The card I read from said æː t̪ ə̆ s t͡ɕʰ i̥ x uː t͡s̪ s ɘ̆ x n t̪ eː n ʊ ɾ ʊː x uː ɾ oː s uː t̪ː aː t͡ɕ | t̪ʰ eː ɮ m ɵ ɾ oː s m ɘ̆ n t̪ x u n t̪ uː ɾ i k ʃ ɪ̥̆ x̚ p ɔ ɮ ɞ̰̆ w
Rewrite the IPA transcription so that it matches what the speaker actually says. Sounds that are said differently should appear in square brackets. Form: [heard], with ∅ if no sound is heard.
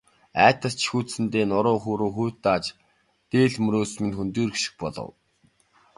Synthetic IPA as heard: æː t̪ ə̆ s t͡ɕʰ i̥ x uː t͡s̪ s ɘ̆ [∅] n t̪ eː n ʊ ɾ ʊː x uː ɾ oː [x] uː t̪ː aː t͡ɕ | [t̪] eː ɮ m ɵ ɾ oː s m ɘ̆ n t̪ x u n t̪ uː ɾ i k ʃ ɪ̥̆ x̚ p ɔ ɮ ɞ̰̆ w